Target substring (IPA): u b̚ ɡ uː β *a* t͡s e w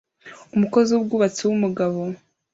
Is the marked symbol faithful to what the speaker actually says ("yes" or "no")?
yes